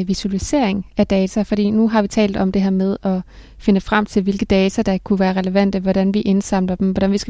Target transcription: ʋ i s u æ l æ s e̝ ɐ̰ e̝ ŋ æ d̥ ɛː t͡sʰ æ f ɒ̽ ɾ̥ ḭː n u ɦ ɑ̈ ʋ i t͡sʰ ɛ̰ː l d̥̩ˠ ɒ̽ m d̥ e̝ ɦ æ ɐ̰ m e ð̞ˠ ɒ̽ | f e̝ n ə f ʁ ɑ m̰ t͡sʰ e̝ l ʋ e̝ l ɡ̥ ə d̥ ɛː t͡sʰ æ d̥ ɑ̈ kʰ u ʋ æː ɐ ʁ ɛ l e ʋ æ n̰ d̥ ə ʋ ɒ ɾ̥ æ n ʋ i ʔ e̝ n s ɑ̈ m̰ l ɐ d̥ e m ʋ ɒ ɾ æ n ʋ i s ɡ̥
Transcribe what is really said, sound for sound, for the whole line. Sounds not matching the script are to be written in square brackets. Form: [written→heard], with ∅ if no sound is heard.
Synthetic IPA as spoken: ʋ i s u æ l [æ→i] s e̝ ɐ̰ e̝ ŋ æ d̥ ɛː t͡sʰ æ f ɒ̽ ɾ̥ ḭː n u ɦ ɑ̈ ʋ i t͡sʰ ɛ̰ː l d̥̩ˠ ɒ̽ m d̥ e̝ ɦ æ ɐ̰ m e ð̞ˠ ɒ̽ | f e̝ n ə f ʁ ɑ m̰ t͡sʰ e̝ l ʋ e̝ l ɡ̥ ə d̥ ɛː t͡sʰ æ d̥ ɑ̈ kʰ u ʋ æː ɐ ʁ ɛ l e ʋ æ n̰ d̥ ə ʋ ɒ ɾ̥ æ n ʋ i ʔ e̝ n s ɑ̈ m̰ l ɐ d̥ e m ʋ ɒ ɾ æ n ʋ i s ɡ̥